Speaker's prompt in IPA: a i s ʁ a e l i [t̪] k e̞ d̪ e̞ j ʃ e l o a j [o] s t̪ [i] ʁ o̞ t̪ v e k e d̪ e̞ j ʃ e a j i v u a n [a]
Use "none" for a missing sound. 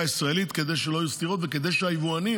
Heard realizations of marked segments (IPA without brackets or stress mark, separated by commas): t̪, u, i, i